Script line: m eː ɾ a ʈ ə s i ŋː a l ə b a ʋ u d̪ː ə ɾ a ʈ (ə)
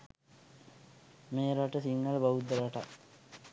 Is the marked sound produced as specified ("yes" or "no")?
no